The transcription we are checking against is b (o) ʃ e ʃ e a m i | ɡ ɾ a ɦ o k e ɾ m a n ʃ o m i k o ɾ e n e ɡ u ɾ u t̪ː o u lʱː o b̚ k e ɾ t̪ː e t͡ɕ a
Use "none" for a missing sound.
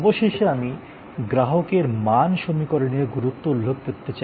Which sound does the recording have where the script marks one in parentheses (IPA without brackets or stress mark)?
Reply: o